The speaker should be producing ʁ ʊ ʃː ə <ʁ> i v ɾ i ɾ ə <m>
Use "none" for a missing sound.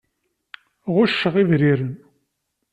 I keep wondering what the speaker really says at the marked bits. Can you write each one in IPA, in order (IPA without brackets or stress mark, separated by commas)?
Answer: ʁ, n